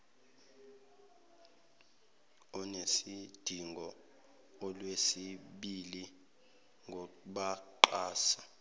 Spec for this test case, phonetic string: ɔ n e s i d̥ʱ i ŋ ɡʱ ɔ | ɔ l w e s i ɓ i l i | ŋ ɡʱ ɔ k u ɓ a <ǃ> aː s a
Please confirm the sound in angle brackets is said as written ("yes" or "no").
yes